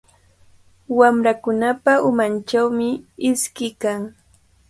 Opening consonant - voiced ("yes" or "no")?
yes